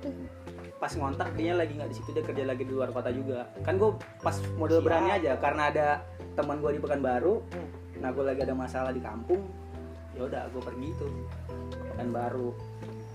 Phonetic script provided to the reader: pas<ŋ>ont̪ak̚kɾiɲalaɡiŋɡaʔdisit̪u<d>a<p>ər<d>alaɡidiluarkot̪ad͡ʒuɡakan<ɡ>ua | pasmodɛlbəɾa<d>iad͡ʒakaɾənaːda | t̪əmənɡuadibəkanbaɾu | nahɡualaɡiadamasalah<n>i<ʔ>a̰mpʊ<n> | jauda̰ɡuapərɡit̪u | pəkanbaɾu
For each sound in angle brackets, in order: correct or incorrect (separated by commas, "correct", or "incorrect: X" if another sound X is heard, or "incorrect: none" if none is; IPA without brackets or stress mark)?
correct, correct, incorrect: k, incorrect: d͡ʒ, correct, incorrect: n, incorrect: d, incorrect: k, incorrect: ŋ